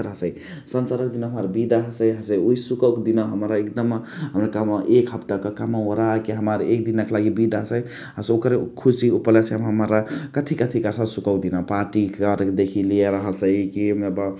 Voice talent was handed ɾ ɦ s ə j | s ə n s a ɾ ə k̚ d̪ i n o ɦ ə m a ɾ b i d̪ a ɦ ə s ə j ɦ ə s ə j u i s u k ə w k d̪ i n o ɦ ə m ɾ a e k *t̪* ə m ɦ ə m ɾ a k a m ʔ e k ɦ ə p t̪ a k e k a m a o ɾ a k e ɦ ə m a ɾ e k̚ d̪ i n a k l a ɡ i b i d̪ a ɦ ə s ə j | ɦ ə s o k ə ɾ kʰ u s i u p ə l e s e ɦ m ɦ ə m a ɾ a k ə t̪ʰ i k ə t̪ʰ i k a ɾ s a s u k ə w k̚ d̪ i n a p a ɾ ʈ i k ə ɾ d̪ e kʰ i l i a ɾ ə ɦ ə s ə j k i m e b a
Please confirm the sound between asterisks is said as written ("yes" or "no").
no